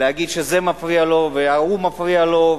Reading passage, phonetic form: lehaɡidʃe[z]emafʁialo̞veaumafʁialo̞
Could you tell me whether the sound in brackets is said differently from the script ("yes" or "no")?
no